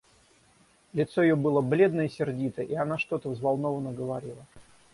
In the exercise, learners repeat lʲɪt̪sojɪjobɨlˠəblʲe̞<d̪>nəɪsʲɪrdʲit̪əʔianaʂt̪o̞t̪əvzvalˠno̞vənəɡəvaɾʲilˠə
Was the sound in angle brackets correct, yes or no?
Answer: yes